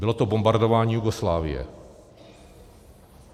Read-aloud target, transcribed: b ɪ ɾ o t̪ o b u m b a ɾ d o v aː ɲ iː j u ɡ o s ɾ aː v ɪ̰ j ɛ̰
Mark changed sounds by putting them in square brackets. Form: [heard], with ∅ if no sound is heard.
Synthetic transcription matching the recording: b ɪ [l] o t̪ o b [o] m b a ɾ d o v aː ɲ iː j u ɡ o s [l] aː v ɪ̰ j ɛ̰